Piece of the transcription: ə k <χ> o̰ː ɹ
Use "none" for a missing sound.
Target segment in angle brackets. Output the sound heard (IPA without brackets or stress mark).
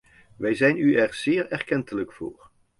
f